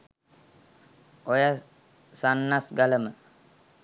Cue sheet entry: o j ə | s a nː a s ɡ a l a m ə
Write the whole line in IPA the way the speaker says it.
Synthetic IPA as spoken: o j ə | s a nː a s ɡ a l ə m ə